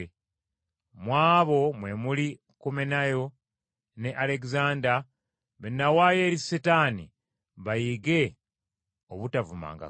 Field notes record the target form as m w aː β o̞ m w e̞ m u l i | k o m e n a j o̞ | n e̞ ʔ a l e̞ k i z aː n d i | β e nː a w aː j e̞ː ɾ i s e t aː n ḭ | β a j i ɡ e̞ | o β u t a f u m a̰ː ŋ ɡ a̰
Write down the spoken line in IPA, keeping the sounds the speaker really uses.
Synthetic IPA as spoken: m w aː β o̞ m w e̞ m u l i | k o m e n a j o̞ | n e̞ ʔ a l e̞ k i z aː n d a | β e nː a w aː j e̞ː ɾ i s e t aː n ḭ | β a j i ɡ e̞ | o β u t a v u m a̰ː ŋ ɡ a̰

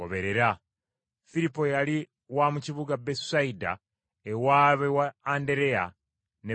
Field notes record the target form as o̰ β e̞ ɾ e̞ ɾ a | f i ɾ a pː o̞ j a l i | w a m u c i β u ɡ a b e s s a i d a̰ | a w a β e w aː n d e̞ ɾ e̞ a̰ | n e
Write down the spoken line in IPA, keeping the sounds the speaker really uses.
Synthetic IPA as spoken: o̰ β e̞ ɾ e̞ ɾ a | f i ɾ i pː o̞ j a l i | w a m u c i β u ɡ a b e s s a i d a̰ | e w a β e w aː n d e̞ ɾ e̞ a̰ | n e

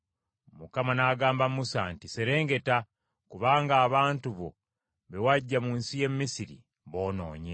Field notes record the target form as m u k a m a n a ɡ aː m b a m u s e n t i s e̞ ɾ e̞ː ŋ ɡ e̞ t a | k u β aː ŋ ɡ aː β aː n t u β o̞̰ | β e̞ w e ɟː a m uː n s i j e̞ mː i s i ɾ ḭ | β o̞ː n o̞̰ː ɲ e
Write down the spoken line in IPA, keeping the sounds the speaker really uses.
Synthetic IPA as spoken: m u k a m a n a ɡ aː m b a m u s a n t i s e̞ ɾ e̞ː ŋ ɡ e̞ t a | k u β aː ŋ ɡ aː β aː n t u β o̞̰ | β e̞ w a ɟː a m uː n s i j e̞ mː i s i ɾ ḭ | β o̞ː n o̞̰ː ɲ e

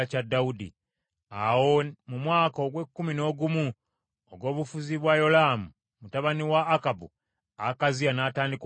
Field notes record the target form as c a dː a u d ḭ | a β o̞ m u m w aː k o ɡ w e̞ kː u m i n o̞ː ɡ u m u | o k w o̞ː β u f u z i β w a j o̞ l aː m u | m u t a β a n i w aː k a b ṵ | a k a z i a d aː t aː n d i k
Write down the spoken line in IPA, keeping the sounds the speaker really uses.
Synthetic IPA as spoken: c a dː a u d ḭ | a w o̞ m u m w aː k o ɡ w e̞ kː u m i n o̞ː ɡ u m u | o ɡ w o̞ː β u f u z i β w a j o̞ l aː m u | m u t a β a n i w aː k a b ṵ | a k a z i a n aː t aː n d i k

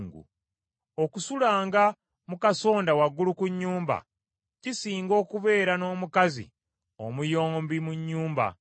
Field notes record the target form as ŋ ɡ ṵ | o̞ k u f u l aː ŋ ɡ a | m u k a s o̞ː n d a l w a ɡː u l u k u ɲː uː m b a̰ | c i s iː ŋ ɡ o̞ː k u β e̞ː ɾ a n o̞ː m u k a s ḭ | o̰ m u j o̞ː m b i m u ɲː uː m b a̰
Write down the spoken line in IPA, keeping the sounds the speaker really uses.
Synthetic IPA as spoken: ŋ ɡ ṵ | o̞ k u s u l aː ŋ ɡ a | m u k a s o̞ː n d a w a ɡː u l u k u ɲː uː m b a̰ | c i s iː ŋ ɡ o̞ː k u β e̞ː ɾ a n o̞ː m u k a z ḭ | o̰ m u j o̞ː m b i m u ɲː uː m b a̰

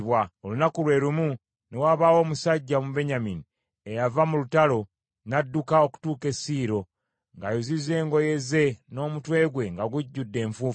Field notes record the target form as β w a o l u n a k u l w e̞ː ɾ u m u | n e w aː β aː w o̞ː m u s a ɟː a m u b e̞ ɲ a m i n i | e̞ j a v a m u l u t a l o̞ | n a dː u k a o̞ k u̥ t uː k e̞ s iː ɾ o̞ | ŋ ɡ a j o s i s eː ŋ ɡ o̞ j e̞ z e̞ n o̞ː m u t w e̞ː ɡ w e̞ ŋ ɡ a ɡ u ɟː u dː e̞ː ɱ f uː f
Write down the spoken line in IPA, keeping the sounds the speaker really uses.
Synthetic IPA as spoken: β w a o l u n a k u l w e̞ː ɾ u m u | n e w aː β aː w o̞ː m u s a ɟː a m u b e̞ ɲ a m i n i | e̞ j a v a m u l u t a l o̞ | n a dː u k a o̞ k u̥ t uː k e̞ s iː ɾ o̞ | ŋ ɡ a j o z i z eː ŋ ɡ o̞ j e̞ z e̞ n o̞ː m u t w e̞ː ɡ w e̞ ŋ ɡ a ɡ u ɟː u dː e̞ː ɱ f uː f

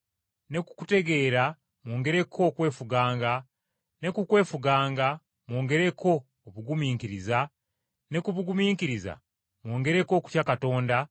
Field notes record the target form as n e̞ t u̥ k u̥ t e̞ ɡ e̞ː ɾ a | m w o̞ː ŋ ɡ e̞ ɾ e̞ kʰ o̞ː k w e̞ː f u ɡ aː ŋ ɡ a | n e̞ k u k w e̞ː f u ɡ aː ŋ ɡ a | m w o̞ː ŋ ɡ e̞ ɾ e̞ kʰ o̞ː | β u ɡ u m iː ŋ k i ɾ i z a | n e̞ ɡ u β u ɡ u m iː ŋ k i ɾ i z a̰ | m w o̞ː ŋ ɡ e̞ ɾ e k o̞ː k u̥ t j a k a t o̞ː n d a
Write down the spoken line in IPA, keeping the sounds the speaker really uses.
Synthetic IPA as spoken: n e̞ k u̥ k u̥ t e̞ ɡ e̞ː ɾ a | m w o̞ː ŋ ɡ e̞ ɾ e̞ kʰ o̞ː k w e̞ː f u ɡ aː ŋ ɡ a | n e̞ k u k w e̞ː f u ɡ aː ŋ ɡ a | m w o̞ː ŋ ɡ e̞ ɾ e̞ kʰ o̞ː | β u ɡ u m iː ŋ k i ɾ i z a | n e̞ k u β u ɡ u m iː ŋ k i ɾ i z a̰ | m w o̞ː ŋ ɡ e̞ ɾ e k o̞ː k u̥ t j a k a t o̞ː n d a

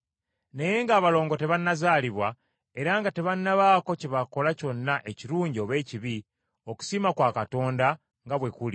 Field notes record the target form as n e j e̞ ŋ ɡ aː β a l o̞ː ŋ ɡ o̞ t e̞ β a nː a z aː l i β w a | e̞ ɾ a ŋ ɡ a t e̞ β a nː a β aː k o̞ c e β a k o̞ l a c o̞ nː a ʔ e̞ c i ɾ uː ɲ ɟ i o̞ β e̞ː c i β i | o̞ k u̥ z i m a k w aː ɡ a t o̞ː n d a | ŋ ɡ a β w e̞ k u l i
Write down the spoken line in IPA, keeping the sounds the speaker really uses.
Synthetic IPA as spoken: n e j e̞ ŋ ɡ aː β a l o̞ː ŋ ɡ o̞ t e̞ β a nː a z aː l i β w a | e̞ ɾ a ŋ ɡ a t e̞ β a nː a β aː k o̞ c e β a k o̞ l a c o̞ nː a ʔ e̞ c i ɾ uː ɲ ɟ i o̞ β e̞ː c i β i | o̞ k u̥ s i m a k w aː k a t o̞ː n d a | ŋ ɡ a β w e̞ k u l i

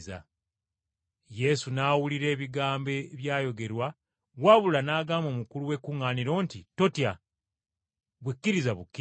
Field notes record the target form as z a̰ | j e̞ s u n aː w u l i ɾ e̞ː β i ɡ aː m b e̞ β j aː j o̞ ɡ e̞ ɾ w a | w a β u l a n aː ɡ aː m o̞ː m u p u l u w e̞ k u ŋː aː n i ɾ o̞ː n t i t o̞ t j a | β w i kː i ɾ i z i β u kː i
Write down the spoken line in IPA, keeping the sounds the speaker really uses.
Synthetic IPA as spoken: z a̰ | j e̞ s u n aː w u l i ɾ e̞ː β i ɡ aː m b e̞ β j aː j o̞ ɡ e̞ ɾ w a | w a β u l a n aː ɡ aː m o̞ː m u k u l u w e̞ k u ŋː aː n i ɾ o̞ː n t i t o̞ t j a | β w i kː i ɾ i z a β u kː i

